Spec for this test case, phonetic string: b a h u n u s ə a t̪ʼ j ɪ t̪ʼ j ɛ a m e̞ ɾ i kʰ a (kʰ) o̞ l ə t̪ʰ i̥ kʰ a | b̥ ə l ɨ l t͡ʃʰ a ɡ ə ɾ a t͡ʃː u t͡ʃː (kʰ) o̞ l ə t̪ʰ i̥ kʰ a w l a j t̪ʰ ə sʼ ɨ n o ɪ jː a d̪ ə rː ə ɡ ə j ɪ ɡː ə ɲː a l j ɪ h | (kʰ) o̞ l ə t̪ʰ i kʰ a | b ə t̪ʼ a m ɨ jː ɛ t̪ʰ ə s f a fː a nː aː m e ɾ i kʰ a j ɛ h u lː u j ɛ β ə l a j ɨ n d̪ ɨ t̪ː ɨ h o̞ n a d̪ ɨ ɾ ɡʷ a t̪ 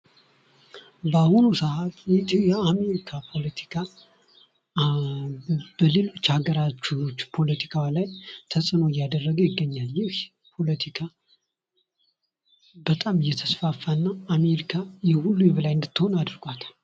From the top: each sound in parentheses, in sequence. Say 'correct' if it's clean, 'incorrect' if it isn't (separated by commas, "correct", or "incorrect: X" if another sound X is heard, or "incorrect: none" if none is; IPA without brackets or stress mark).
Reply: incorrect: pʰ, incorrect: pʰ, incorrect: pʰ